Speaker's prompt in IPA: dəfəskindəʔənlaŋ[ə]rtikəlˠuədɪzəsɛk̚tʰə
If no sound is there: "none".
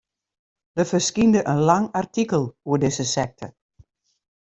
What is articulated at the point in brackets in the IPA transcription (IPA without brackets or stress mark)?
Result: a